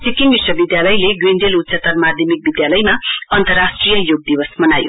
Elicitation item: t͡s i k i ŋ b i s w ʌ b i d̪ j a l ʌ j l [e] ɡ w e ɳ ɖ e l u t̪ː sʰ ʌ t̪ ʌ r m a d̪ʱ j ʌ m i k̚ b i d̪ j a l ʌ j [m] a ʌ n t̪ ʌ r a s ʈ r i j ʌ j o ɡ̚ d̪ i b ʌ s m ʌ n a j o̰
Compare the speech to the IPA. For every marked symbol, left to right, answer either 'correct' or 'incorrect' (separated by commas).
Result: correct, correct